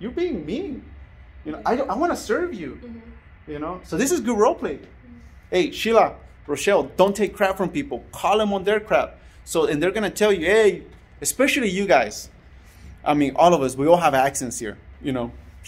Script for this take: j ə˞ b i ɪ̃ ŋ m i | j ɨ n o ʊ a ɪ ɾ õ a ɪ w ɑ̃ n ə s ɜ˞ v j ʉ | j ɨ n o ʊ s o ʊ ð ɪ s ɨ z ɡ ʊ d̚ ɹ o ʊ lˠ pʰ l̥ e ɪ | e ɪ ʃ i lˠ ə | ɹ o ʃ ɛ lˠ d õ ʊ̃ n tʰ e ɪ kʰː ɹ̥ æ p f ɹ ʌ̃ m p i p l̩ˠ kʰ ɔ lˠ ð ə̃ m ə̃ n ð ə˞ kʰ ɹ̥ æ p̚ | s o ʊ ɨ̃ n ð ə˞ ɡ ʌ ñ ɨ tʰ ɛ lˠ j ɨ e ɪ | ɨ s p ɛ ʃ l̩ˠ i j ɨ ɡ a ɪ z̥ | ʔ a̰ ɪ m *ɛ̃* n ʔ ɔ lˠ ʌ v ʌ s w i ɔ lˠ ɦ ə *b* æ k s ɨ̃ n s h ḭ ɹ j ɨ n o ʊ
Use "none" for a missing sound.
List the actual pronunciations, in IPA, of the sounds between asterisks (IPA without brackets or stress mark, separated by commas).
ĩ, v